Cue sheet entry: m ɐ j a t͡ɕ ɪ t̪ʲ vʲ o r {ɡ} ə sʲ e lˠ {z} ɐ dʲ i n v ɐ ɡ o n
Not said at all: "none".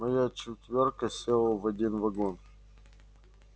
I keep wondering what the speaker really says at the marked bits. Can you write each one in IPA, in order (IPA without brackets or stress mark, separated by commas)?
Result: k, v